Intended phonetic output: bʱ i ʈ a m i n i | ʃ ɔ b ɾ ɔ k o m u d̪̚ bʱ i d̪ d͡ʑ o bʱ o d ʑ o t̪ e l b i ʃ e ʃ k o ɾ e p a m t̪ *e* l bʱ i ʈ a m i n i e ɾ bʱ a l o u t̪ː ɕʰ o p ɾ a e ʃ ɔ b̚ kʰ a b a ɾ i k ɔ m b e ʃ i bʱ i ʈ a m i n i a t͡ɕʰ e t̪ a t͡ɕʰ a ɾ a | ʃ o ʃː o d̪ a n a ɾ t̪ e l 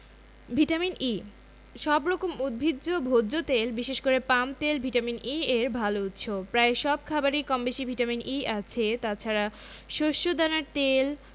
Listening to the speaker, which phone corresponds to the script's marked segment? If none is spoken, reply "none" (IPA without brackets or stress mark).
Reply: e